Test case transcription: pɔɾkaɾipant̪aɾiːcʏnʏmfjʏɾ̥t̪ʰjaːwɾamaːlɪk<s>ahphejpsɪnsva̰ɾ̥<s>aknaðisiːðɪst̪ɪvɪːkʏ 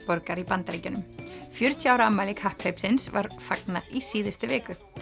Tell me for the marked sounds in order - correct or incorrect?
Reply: incorrect: h, incorrect: f

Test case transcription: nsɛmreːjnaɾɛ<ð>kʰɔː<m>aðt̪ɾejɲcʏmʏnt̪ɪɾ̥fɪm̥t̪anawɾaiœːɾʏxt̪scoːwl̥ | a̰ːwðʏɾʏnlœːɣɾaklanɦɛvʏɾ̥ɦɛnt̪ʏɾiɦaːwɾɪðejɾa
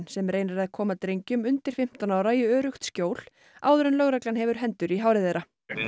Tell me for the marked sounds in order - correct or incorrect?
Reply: correct, correct

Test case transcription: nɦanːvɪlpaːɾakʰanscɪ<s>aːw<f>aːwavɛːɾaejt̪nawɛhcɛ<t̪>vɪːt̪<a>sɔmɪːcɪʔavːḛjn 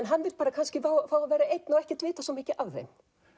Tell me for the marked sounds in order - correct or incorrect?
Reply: incorrect: f, correct, correct, correct

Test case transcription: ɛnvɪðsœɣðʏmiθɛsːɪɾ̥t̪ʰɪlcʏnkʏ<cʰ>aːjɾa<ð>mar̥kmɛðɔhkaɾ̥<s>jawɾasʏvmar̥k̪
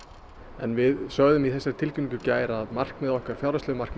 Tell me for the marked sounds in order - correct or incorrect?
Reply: incorrect: c, correct, incorrect: f

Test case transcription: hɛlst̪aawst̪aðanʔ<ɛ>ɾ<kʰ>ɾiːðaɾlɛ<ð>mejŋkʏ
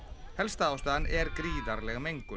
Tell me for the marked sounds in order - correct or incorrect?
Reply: correct, incorrect: k, incorrect: ɣ

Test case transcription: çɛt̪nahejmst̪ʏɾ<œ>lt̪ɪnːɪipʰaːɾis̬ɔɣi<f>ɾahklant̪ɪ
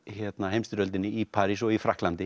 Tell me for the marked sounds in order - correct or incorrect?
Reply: correct, correct

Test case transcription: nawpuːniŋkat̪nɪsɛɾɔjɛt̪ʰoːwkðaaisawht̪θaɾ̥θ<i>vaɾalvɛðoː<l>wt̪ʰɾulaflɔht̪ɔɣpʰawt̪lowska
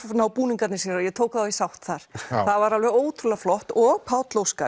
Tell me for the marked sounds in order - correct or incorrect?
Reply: incorrect: a, incorrect: none

